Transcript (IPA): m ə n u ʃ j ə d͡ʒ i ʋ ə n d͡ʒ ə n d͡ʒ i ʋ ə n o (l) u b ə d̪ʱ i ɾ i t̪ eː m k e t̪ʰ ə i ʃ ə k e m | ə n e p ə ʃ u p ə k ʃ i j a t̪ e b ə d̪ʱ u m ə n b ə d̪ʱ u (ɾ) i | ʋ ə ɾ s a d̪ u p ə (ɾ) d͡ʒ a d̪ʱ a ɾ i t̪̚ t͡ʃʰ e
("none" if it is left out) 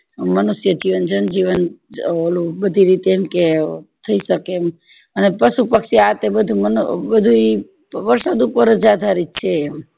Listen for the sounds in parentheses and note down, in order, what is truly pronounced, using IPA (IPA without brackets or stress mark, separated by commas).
l, none, ɾ